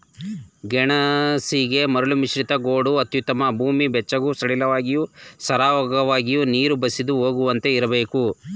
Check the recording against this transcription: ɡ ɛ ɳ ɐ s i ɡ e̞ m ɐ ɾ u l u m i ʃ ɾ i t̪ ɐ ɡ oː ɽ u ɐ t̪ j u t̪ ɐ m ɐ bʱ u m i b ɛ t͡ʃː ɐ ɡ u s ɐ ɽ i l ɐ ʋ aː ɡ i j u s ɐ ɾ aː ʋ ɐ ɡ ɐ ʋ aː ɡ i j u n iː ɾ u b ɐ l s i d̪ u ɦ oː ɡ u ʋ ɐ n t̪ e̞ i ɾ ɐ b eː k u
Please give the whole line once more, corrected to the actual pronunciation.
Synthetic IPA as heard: ɡ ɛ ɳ ɐ s i ɡ e̞ m ɐ ɾ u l u m i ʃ ɾ i t̪ ɐ ɡ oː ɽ u ɐ t̪ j u t̪ ɐ m ɐ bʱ uː m i b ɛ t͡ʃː ɐ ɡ u s ɐ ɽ i l ɐ ʋ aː ɡ i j u s ɐ ɾ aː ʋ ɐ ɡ ɐ ʋ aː ɡ i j u n iː ɾ u b ɐ s i d̪ u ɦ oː ɡ u ʋ ɐ n t̪ e̞ i ɾ ɐ b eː k u